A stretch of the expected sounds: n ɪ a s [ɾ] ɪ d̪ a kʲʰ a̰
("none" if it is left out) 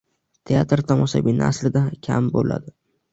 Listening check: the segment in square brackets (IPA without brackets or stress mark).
l